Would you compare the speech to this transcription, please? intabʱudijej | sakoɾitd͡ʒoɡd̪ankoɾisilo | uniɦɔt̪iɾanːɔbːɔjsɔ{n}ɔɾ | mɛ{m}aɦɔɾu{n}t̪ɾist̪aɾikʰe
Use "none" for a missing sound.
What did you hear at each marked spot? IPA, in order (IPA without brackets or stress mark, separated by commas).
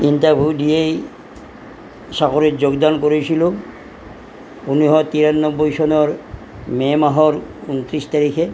n, m, n